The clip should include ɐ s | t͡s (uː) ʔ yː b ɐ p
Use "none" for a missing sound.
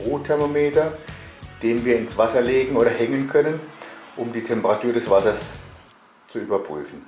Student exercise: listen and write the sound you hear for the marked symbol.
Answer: u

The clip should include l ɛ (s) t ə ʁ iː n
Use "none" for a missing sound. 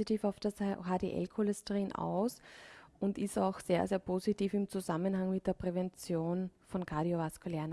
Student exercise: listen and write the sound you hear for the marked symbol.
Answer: s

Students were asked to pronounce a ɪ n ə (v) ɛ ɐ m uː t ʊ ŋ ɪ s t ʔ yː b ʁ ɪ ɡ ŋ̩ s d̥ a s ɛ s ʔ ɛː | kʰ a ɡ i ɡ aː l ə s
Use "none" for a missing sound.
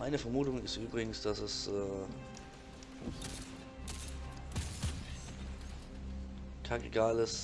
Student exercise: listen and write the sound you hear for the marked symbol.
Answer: f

